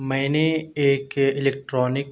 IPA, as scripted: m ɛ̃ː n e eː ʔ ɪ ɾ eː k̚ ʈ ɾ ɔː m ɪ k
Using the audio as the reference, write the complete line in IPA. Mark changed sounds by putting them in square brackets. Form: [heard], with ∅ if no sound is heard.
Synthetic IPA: m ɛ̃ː n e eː [k] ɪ [l] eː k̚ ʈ ɾ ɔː [n] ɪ k